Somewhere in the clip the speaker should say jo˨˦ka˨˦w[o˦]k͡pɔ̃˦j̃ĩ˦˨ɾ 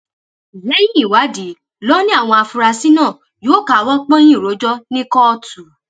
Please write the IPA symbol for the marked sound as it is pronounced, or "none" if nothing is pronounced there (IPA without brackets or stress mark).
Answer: ɔ˦